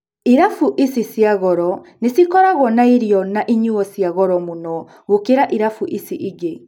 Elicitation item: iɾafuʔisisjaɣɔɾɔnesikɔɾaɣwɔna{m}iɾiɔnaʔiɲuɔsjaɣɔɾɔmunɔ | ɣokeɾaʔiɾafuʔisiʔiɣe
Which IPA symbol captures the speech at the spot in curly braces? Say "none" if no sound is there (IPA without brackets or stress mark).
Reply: none